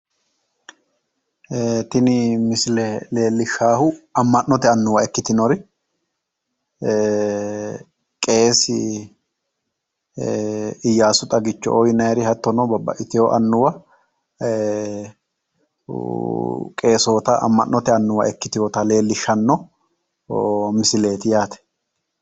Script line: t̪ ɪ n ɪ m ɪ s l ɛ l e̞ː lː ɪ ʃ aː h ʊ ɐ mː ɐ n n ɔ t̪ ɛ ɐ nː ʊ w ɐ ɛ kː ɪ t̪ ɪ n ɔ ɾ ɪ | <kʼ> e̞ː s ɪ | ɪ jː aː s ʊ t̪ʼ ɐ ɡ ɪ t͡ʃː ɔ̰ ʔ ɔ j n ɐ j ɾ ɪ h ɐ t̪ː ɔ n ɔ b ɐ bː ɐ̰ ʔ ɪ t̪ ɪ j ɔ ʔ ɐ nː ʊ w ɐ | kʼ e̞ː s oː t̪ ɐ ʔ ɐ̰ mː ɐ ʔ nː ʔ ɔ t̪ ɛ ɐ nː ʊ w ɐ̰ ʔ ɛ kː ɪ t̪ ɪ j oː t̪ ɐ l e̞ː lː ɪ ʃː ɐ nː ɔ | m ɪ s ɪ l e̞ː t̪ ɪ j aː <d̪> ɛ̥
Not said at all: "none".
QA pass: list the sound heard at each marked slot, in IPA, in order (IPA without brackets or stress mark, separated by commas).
kʼ, t̪